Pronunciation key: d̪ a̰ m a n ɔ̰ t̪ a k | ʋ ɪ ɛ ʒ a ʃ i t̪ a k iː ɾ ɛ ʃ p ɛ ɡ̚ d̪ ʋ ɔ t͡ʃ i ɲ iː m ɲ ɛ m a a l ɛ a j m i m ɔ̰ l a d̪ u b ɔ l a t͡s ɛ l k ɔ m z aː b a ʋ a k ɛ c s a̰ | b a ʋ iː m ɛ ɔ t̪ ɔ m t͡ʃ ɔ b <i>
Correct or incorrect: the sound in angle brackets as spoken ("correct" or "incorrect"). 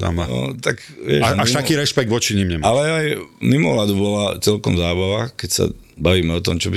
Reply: correct